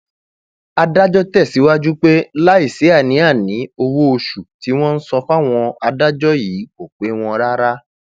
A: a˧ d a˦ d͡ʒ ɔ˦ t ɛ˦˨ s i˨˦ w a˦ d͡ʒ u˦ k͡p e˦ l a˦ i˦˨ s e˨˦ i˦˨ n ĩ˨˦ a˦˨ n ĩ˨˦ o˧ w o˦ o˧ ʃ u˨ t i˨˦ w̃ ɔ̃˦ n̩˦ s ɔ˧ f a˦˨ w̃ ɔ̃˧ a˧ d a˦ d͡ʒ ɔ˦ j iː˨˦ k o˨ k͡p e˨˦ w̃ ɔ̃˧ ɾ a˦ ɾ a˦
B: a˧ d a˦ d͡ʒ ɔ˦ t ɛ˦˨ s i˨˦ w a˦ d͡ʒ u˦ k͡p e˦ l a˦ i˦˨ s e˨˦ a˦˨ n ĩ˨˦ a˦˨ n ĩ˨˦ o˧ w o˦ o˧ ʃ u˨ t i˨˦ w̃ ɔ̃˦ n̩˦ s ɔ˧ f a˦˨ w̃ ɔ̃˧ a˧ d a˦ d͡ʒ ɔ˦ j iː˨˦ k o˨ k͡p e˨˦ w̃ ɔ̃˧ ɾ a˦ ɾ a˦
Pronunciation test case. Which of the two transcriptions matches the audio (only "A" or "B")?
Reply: B